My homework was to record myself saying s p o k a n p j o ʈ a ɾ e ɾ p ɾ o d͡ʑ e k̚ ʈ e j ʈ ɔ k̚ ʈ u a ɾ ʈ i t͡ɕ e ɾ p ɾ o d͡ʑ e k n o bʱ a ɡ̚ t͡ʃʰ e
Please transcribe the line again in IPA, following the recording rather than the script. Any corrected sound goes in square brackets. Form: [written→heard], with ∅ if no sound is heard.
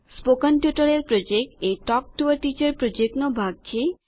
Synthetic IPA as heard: s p o k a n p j [o→u] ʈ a ɾ e ɾ p ɾ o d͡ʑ e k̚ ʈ e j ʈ ɔ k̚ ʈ u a ɾ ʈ i t͡ɕ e ɾ p ɾ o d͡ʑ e k n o bʱ a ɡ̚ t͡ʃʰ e